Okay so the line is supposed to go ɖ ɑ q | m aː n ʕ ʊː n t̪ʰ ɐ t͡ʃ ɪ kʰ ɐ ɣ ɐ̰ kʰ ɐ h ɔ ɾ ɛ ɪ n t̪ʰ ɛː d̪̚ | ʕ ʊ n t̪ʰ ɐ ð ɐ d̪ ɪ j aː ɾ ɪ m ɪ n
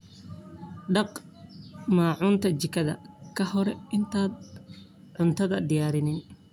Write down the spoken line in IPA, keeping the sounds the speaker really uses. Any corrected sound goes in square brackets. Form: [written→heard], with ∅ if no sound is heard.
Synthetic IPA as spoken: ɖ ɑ q | m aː [n→∅] ʕ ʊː n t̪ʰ ɐ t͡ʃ ɪ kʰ ɐ [ɣ→ð] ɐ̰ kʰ ɐ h ɔ ɾ ɛ ɪ n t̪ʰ [ɛː→aː] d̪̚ | ʕ ʊ n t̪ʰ ɐ ð ɐ d̪ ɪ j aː ɾ ɪ [m→n] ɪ n